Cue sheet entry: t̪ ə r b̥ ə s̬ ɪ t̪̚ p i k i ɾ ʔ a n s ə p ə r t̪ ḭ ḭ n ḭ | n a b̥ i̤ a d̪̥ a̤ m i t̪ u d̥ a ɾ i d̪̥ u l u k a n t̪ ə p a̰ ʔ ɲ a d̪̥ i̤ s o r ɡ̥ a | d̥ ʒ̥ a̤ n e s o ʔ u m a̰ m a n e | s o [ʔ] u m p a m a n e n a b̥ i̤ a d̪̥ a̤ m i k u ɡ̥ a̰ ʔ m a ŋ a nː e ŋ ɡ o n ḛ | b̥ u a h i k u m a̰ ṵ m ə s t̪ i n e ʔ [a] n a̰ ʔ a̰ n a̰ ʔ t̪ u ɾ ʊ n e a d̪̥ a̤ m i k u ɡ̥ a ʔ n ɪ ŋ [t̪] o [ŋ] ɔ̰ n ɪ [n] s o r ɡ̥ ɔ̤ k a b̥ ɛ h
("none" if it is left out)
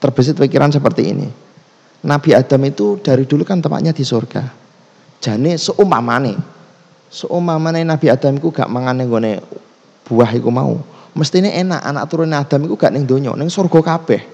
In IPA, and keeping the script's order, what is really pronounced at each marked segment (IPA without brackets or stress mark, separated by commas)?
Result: ʔ, e, d̪, ɲ, ŋ